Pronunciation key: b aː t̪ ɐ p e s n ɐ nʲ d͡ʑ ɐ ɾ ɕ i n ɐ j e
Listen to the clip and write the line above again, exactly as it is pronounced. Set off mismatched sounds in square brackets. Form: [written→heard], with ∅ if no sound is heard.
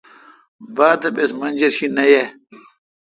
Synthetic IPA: b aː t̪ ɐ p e s [n→m] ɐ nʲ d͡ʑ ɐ ɾ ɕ i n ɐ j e

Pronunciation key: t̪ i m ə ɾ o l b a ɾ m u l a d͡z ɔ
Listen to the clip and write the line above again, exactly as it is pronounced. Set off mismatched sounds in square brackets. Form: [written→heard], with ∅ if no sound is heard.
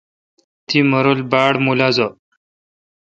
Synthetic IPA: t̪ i m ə ɾ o l b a [ɾ→ɽ] m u l a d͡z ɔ

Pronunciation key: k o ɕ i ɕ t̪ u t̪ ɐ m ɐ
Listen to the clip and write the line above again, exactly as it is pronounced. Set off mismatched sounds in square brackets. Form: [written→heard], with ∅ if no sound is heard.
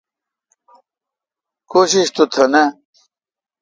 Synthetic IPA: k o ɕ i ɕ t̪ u [t̪→t̪ʰ] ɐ [m→n] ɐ

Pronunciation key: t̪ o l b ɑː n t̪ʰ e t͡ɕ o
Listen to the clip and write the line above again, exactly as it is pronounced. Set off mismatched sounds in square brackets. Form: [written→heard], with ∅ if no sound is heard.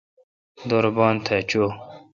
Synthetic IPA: [t̪→d̪] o [l→ɾ] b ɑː n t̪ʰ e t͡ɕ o

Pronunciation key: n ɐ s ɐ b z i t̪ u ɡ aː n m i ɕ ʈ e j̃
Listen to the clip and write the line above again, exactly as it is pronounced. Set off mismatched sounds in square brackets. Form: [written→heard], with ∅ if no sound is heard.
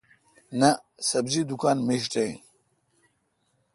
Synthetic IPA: n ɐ s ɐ b z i [t̪→d̪] u [ɡ→k] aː n m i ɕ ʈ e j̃

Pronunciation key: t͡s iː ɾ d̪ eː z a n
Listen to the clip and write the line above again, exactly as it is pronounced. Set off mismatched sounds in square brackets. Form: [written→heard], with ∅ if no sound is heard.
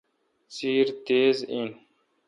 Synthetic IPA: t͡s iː ɾ [d̪→t̪] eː z [a→i] n

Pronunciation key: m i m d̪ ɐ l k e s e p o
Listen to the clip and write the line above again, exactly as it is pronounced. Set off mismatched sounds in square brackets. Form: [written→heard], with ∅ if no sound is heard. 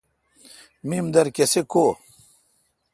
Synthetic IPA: m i m d̪ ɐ [l→ɾ] k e s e [p→k] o

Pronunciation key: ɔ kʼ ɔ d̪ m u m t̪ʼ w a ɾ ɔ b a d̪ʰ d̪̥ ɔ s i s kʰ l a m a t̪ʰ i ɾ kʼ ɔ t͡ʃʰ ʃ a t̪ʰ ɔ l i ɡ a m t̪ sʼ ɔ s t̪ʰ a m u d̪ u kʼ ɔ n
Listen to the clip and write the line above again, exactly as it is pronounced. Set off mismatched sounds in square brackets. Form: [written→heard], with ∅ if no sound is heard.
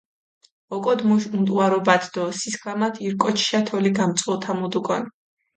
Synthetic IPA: ɔ kʼ ɔ d̪ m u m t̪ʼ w a ɾ ɔ b a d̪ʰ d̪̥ ɔ s i s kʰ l a m a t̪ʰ i ɾ kʼ ɔ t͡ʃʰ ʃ a t̪ʰ ɔ l i ɡ a m t̪ sʼ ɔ [s→∅] t̪ʰ a m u d̪ u kʼ ɔ n

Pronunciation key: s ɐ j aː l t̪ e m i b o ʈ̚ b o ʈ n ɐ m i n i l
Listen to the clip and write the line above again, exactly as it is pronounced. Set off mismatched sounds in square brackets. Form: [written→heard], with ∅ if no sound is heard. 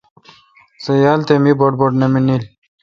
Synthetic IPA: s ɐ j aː l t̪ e m i b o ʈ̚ b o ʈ n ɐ m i n i l

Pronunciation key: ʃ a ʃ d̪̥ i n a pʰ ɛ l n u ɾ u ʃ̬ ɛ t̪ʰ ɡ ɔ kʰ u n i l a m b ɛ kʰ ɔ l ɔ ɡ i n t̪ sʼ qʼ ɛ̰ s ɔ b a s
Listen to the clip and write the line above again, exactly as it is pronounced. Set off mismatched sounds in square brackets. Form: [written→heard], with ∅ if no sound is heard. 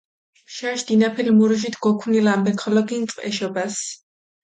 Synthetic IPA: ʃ a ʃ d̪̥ i n a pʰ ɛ l [n→m] u ɾ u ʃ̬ [ɛ→i] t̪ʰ ɡ ɔ kʰ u n i l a m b ɛ kʰ ɔ l ɔ ɡ i n t̪ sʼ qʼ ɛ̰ [s→ʃ] ɔ b a s

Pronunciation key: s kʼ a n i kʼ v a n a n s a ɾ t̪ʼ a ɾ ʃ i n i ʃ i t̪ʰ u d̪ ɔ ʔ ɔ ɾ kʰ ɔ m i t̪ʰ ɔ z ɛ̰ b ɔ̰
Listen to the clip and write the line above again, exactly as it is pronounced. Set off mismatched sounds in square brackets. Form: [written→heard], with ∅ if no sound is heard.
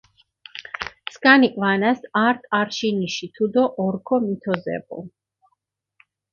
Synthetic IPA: s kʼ a n i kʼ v a n a [n→∅] s a ɾ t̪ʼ a ɾ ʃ i n i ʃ i t̪ʰ u d̪ ɔ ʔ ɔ ɾ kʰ ɔ m i t̪ʰ ɔ z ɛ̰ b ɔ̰

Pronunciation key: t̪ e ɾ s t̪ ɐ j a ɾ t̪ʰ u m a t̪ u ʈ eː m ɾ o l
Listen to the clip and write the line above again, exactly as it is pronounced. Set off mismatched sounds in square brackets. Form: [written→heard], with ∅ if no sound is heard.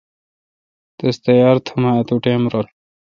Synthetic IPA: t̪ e [ɾ→∅] s t̪ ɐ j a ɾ t̪ʰ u m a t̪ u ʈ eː m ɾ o l

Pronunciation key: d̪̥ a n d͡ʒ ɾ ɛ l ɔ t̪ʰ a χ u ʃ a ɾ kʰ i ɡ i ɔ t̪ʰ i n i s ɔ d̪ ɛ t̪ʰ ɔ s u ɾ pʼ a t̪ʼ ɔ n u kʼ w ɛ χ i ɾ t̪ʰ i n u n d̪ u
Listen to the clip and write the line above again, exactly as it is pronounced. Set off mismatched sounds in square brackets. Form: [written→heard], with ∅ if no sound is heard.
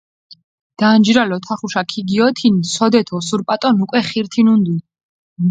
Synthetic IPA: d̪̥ a n d͡ʒ ɾ [ɛ→a] l ɔ t̪ʰ a χ u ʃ a [ɾ→∅] kʰ i ɡ i ɔ t̪ʰ i n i s ɔ d̪ ɛ t̪ʰ ɔ s u ɾ pʼ a t̪ʼ ɔ n u kʼ w ɛ χ i ɾ t̪ʰ i n u n d̪ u

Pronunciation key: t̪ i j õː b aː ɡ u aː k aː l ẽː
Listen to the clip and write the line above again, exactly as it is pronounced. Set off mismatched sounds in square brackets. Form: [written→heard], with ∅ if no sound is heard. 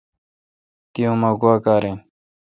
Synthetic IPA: t̪ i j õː [b→m] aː ɡ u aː k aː [l→ɾ] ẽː

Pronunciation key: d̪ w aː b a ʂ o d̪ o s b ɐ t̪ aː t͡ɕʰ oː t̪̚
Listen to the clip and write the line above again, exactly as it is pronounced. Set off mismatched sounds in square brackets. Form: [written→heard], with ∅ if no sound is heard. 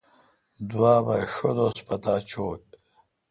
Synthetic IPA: d̪ w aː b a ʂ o d̪ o s [b→p] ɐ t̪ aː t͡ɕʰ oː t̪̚

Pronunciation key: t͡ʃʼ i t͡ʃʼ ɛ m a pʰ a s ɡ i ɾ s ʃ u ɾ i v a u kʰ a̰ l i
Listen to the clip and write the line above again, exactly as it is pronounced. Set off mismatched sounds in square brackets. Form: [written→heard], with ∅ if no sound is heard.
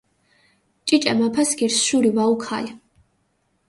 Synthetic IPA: t͡ʃʼ i t͡ʃʼ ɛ m a pʰ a s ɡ i ɾ s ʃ u ɾ i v a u kʰ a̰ l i

